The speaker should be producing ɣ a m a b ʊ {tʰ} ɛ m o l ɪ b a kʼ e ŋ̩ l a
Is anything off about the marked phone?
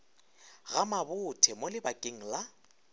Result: no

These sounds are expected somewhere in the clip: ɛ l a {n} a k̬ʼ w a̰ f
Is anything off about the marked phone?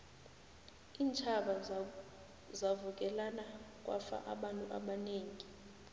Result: no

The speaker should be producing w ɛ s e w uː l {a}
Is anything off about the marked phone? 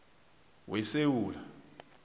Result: no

